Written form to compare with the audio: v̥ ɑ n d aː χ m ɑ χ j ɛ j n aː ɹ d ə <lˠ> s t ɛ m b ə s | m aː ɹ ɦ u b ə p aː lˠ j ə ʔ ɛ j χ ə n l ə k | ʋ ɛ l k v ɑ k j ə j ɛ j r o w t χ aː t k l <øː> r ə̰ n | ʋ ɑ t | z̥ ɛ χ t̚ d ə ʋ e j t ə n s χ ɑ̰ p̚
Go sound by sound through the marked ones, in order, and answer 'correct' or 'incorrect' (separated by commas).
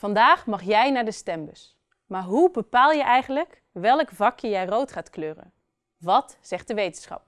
incorrect, correct